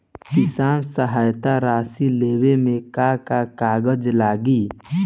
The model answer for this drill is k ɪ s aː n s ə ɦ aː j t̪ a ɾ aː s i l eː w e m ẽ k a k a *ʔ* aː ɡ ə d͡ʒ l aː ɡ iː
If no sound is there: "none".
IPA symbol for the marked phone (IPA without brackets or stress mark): k